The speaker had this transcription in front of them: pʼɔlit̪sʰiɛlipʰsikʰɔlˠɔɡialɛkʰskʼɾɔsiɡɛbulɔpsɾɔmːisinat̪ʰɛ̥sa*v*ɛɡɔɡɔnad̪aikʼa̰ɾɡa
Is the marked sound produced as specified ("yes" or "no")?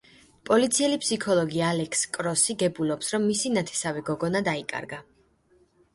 yes